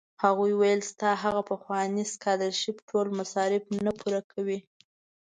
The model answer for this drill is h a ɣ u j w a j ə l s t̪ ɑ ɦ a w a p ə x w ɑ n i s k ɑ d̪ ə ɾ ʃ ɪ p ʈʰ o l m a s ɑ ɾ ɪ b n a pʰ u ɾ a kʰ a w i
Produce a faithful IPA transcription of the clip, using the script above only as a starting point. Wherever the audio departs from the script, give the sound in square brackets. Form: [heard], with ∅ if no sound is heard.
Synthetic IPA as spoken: h a ɣ u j w a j ə l s t̪ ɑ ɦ a [ɣ] a p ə x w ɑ n i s k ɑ d̪ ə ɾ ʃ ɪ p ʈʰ o l m a s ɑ ɾ ɪ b n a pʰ u ɾ a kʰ a w i